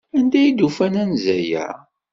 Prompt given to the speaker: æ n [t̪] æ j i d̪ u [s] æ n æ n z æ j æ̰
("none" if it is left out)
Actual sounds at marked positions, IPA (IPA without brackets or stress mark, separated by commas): d̪, f